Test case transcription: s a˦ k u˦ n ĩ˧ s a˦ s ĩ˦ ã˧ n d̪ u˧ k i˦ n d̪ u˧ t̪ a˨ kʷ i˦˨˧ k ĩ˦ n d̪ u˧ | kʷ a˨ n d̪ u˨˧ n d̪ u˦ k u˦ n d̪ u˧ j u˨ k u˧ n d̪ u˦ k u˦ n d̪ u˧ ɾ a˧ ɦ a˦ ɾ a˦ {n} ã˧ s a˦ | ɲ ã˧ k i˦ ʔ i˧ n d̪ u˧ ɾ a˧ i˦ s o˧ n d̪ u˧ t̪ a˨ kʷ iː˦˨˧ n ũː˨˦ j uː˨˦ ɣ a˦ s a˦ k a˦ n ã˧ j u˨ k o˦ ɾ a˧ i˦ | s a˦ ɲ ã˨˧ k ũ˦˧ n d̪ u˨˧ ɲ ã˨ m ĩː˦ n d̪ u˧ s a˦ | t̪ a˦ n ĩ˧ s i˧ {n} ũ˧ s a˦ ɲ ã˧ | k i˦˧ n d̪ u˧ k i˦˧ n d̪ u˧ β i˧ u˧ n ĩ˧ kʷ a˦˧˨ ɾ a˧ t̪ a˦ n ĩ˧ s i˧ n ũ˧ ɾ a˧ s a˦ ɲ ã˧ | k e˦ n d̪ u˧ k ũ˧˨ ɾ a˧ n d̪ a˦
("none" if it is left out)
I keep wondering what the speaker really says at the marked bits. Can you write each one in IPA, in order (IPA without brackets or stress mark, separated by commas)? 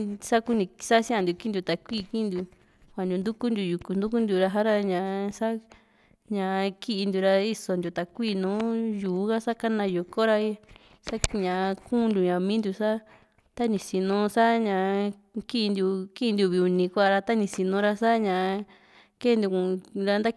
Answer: ɲ, n